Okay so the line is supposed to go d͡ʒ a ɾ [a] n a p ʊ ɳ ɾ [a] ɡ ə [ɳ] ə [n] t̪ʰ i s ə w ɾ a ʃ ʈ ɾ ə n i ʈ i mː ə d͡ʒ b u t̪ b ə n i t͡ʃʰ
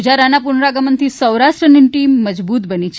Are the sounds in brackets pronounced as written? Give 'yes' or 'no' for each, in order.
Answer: yes, yes, no, yes

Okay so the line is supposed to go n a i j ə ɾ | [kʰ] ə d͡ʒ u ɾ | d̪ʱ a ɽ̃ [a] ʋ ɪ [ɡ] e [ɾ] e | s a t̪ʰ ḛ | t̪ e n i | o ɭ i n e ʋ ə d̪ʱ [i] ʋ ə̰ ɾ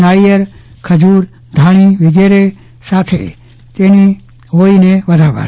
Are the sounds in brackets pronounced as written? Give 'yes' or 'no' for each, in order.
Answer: yes, no, yes, yes, no

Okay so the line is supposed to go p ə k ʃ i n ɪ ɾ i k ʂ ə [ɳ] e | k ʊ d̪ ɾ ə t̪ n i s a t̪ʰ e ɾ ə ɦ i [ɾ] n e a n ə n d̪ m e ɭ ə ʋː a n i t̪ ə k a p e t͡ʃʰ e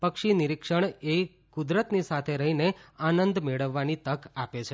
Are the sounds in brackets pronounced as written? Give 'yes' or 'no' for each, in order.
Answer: yes, no

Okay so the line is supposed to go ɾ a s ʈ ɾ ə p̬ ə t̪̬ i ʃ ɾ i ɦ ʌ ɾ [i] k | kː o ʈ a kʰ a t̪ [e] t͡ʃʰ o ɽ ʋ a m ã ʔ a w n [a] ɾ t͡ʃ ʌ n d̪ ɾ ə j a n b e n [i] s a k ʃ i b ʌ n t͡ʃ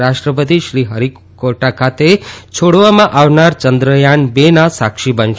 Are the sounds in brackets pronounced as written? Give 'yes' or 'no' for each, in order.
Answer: yes, yes, yes, no

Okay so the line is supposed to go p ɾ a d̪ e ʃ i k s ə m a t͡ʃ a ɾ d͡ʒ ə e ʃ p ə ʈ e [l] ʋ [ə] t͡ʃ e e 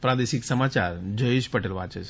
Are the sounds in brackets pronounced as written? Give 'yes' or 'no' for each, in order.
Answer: yes, no

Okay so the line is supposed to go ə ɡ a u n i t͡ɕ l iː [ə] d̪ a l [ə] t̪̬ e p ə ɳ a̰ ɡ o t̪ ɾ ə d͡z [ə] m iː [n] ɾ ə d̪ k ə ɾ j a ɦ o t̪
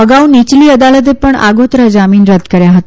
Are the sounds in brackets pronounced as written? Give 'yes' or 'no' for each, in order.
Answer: yes, yes, no, yes

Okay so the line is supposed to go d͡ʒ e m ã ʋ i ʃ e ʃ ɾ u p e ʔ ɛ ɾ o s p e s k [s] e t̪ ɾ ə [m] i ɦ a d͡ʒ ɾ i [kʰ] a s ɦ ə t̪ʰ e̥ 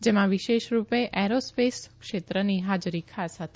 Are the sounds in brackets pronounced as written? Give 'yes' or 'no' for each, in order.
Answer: no, no, yes

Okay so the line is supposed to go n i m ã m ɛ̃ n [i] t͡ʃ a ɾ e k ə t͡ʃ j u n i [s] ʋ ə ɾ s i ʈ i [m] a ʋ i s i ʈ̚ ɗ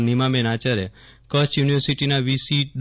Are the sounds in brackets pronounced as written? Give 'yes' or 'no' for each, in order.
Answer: no, no, no

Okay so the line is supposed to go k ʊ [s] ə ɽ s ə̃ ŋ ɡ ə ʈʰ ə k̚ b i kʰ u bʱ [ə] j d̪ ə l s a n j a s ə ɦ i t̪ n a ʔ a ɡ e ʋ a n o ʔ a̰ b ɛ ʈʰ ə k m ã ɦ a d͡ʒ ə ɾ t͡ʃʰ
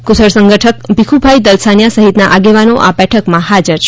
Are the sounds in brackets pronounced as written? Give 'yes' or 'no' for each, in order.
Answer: yes, no

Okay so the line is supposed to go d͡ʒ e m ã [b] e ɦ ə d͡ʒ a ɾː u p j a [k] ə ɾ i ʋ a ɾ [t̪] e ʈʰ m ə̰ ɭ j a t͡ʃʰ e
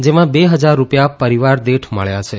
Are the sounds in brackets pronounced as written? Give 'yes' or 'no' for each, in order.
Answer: yes, no, no

